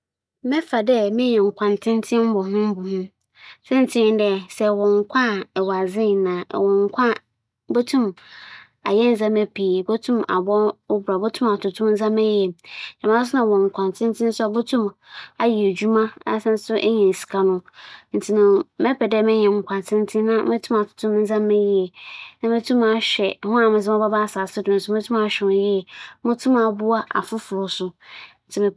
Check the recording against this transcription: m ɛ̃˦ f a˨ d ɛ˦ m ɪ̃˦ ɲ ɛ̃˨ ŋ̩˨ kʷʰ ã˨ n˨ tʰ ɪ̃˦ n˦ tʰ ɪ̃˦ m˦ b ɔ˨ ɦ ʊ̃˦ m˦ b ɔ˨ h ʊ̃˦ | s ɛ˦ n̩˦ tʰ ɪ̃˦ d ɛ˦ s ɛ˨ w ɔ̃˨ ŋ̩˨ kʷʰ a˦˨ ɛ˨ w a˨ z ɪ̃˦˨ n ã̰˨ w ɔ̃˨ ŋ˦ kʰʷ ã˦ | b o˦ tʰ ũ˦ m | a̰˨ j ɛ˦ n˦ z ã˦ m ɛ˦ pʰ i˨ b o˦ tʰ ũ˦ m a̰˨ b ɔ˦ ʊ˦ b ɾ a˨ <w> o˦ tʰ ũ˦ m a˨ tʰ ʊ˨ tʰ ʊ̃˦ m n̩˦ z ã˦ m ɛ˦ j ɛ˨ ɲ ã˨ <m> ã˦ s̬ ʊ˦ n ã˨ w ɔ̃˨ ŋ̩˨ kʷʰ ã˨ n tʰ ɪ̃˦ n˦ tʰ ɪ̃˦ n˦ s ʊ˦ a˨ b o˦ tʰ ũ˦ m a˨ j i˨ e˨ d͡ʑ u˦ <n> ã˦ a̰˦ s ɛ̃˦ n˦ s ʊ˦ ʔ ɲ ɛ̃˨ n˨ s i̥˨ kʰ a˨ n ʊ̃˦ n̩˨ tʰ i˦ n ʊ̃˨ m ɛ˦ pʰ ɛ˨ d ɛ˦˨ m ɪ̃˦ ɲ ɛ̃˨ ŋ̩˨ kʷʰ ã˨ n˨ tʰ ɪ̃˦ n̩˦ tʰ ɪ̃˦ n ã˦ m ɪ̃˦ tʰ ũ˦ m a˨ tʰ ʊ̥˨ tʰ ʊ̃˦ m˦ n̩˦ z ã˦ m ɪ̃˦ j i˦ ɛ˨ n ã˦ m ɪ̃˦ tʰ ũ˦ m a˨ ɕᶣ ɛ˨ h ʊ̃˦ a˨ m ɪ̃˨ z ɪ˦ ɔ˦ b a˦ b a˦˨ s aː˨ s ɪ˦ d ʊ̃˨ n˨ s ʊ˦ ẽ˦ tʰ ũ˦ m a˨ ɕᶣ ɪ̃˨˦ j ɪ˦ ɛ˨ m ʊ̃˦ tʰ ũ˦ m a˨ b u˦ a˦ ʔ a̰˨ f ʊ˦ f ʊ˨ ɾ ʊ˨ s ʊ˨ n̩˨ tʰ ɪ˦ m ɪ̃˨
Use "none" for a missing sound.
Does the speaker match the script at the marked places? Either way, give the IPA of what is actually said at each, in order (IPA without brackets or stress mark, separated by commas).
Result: b, m, m